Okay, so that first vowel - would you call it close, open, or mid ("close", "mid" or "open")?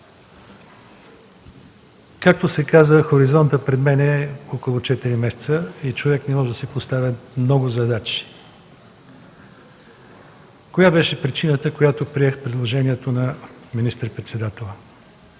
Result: open